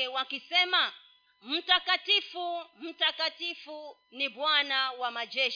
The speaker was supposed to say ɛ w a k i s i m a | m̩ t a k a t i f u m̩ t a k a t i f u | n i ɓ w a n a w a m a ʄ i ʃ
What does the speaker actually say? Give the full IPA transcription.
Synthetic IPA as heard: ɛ w a k i s ɛ m a | m̩ t a k a t i f u m̩ t a k a t i f u | n i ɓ w a n a w a m a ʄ ɛ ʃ